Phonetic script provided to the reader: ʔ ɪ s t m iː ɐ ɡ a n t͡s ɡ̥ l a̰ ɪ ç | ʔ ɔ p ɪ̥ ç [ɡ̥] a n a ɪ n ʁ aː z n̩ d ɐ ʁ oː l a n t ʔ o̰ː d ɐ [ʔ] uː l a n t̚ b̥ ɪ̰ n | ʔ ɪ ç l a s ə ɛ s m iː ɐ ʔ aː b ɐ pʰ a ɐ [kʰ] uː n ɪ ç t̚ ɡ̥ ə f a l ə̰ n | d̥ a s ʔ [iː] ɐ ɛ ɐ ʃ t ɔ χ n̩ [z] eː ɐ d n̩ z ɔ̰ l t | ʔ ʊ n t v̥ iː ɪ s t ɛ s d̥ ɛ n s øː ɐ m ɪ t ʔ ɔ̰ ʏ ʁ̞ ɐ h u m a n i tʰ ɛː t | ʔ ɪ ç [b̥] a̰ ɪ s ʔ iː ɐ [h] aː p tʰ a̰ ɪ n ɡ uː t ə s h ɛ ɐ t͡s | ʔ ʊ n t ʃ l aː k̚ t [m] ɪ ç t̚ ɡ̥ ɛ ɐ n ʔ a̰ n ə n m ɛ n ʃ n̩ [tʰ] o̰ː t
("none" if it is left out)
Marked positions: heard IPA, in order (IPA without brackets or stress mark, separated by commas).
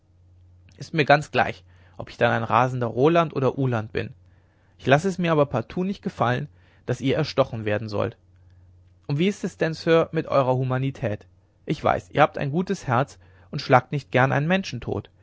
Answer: d̥, ʔ, tʰ, iː, v, v̥, h, n, tʰ